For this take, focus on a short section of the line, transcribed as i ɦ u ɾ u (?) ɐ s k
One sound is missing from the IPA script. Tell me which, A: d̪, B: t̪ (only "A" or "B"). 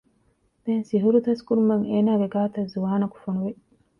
B